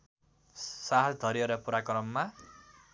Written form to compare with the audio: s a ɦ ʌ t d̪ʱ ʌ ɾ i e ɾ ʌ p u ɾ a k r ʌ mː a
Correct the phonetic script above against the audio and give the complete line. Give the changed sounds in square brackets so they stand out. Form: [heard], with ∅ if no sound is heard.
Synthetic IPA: s a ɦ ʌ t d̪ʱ ʌ ɾ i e ɾ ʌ p u ɾ a k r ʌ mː a